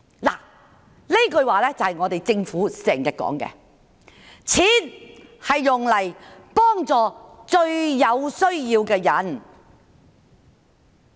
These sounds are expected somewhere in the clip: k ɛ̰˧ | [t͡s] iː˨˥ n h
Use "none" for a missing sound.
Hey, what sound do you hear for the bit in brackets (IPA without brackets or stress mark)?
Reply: t͡sʰ